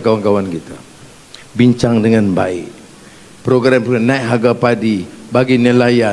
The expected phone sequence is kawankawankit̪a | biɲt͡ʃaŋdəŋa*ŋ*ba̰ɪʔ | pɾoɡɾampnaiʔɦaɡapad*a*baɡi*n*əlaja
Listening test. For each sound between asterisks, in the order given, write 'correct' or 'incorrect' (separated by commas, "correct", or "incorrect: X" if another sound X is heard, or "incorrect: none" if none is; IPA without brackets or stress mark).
incorrect: n, incorrect: i, correct